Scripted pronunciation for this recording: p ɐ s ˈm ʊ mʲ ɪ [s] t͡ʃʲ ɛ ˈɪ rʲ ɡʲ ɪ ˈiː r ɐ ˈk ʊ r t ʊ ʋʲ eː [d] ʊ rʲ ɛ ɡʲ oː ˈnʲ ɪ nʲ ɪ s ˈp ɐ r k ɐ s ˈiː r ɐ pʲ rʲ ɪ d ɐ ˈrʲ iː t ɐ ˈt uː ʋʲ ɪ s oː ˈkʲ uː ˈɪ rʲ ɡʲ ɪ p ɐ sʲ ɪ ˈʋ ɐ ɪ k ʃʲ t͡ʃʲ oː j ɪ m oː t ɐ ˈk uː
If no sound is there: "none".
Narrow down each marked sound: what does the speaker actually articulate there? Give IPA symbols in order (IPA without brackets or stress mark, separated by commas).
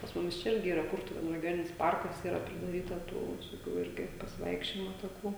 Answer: s, n